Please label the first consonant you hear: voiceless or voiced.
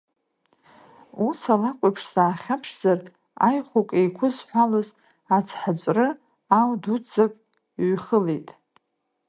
voiceless